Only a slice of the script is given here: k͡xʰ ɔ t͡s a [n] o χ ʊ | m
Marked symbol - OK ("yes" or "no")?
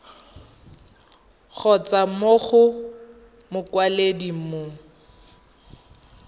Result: no